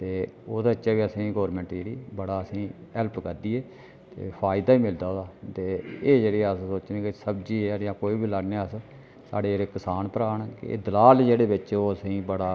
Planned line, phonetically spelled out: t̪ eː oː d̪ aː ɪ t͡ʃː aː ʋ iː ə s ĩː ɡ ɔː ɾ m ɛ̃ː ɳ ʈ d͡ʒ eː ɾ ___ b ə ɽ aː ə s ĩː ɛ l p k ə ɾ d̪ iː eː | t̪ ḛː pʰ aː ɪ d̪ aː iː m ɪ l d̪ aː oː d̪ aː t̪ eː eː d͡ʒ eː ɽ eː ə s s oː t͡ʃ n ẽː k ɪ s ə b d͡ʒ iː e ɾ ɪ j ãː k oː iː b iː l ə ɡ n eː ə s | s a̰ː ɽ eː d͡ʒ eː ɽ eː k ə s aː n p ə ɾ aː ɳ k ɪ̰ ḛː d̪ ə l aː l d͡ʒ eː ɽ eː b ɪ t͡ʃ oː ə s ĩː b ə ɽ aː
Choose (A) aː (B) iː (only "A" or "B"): B